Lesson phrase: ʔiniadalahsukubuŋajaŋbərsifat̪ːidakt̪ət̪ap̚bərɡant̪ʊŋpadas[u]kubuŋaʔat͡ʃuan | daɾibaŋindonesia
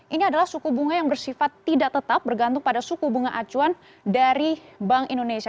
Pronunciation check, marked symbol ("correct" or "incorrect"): correct